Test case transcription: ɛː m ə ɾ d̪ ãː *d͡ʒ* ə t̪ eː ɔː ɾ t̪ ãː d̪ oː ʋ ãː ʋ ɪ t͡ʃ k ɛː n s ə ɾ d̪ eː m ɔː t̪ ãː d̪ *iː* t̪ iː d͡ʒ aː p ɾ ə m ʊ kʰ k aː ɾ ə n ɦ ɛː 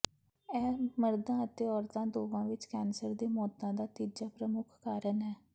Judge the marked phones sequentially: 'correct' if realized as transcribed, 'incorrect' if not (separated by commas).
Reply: incorrect, incorrect